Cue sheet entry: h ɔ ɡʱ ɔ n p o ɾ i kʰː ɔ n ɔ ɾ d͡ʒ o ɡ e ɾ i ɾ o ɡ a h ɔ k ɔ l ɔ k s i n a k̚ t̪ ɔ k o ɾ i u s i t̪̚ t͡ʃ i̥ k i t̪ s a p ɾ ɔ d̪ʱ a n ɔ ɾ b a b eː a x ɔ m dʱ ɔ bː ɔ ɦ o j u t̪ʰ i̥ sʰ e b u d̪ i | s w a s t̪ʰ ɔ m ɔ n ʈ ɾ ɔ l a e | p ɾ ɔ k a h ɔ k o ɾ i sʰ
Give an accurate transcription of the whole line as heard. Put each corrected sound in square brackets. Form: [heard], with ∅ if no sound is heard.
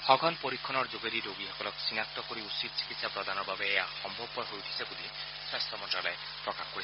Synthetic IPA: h ɔ ɡʱ ɔ n p o ɾ i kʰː ɔ n ɔ ɾ d͡ʒ o ɡ e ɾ i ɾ o ɡ [i] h ɔ k ɔ l ɔ k s i n a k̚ t̪ ɔ k o ɾ i u s i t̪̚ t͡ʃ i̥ k i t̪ s a p ɾ ɔ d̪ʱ a n ɔ ɾ b a b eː a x ɔ m [bʱ] ɔ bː ɔ ɦ o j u t̪ʰ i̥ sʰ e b u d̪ i | s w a s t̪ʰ ɔ m ɔ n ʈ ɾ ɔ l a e | p ɾ ɔ k a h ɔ k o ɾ i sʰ